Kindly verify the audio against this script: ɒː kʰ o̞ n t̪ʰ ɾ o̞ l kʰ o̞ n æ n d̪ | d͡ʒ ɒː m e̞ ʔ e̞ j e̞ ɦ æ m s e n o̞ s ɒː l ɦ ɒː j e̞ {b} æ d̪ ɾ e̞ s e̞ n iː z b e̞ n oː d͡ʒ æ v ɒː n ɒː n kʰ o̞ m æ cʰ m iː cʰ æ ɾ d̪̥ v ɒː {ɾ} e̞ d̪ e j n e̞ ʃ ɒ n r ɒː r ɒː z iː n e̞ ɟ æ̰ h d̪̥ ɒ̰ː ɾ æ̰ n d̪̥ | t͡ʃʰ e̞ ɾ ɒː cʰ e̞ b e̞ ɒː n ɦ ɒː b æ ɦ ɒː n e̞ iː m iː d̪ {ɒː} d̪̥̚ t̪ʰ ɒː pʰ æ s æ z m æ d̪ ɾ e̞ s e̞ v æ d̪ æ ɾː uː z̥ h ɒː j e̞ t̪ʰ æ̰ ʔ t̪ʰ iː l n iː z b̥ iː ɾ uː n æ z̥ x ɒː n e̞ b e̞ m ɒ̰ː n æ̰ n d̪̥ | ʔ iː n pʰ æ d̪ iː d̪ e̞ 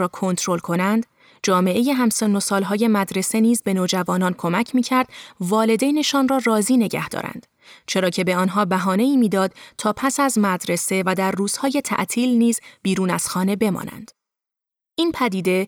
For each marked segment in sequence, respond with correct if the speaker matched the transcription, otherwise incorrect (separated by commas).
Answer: incorrect, incorrect, correct